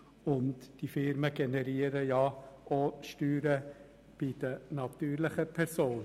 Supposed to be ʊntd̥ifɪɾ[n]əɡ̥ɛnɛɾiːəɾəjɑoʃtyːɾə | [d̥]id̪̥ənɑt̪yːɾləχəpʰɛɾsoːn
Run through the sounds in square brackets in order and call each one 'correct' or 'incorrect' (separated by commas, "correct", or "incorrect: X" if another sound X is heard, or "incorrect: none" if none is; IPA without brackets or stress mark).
incorrect: m, incorrect: b̥